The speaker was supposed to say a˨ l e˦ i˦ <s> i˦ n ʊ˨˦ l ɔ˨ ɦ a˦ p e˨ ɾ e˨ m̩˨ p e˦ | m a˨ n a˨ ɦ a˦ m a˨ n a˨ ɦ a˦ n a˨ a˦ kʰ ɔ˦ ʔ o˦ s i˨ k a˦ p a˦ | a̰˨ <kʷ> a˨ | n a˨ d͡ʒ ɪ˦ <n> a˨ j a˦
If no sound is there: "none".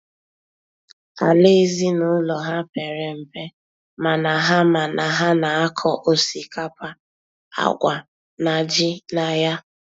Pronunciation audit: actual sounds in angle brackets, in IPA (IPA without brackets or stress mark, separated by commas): z, ɡʷ, n